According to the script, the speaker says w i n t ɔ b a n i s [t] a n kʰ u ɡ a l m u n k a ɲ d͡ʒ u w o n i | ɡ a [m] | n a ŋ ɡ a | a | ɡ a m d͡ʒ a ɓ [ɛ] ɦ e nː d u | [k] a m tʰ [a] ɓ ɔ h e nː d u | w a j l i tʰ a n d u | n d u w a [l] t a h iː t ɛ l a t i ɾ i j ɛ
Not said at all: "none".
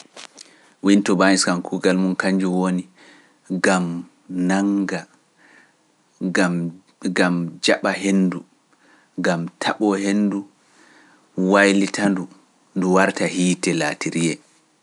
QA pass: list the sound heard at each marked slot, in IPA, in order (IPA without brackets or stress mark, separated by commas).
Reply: k, m, a, ɡ, a, ɾ